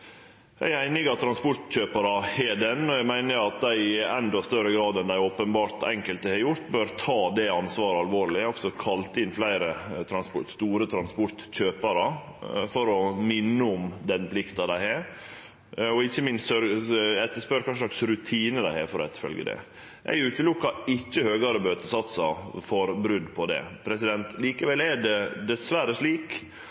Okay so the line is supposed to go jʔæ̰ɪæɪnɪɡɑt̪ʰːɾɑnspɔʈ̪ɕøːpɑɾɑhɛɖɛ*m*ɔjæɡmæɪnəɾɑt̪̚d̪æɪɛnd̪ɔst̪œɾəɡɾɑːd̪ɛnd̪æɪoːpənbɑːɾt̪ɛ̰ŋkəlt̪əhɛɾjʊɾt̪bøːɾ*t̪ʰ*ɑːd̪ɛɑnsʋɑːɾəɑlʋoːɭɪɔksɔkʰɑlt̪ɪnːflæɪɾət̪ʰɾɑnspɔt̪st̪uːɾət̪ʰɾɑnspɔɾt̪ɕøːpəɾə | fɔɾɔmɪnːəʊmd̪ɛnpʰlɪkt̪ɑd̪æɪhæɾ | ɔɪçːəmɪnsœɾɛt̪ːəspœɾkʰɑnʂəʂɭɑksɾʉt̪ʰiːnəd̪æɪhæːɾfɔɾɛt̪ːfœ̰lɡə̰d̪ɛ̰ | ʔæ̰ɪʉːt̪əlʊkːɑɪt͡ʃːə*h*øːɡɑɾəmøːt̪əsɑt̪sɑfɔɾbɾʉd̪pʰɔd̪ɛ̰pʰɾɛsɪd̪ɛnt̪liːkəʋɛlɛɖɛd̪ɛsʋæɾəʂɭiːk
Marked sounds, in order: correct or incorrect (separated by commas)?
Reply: incorrect, correct, correct